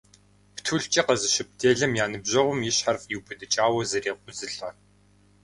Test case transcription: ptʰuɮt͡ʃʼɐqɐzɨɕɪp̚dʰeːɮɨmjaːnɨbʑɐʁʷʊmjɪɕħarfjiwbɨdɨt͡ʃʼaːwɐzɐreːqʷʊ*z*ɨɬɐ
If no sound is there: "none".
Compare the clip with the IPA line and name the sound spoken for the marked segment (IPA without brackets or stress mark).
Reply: z